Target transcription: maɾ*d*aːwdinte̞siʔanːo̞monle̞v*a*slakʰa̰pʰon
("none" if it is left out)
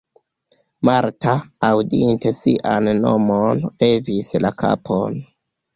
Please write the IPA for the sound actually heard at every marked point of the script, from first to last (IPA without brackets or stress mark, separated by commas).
t, i